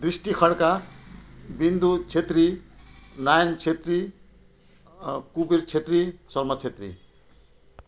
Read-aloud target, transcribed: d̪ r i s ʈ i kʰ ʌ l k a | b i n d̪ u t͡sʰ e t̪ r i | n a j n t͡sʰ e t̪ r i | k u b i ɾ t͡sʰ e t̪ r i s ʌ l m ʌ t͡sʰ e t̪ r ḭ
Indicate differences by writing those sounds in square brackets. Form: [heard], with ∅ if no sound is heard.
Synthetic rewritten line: d̪ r i s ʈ i kʰ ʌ [ɽ] k a | b i n d̪ u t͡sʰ e t̪ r i | n a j n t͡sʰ e t̪ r i | k u b i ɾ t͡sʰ e t̪ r i s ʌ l m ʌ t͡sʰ e t̪ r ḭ